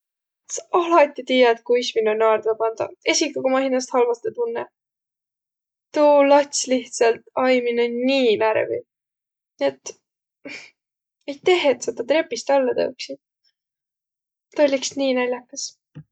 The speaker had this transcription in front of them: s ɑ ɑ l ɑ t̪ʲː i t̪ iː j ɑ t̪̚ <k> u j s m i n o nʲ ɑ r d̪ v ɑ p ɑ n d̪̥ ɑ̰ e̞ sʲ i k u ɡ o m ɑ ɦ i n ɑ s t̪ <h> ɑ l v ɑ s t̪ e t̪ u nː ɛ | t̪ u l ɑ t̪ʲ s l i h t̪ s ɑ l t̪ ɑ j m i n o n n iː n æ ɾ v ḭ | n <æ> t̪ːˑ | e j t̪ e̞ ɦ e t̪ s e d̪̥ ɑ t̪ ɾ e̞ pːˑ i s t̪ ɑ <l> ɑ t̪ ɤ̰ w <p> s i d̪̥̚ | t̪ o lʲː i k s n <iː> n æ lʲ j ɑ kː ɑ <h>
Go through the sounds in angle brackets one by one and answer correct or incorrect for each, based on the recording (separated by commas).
correct, correct, incorrect, incorrect, incorrect, correct, incorrect